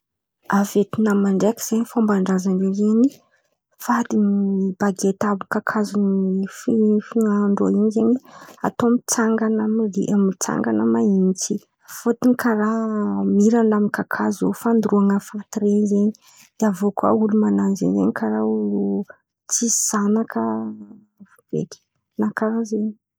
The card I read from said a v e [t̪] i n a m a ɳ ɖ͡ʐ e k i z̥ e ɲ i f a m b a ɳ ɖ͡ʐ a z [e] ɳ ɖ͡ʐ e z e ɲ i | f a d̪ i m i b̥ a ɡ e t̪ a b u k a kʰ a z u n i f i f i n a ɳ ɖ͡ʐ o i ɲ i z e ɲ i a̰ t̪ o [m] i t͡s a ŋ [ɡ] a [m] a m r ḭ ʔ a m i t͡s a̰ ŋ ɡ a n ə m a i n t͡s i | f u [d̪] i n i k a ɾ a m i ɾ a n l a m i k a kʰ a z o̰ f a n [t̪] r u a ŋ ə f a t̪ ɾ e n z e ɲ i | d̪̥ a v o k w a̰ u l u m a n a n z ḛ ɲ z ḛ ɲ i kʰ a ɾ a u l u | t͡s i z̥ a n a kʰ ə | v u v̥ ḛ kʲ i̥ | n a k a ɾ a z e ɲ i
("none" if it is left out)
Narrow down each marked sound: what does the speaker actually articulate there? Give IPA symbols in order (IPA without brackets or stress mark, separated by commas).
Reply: t̪, a, m, ɡ, n, t̪, d̪